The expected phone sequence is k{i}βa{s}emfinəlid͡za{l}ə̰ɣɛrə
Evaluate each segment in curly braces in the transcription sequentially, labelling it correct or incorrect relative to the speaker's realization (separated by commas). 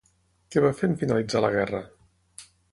incorrect, incorrect, correct